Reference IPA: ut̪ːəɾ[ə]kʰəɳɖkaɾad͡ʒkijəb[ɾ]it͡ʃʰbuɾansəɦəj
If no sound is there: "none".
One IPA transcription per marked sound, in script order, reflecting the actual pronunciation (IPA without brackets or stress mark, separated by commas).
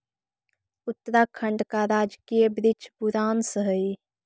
a, ɾ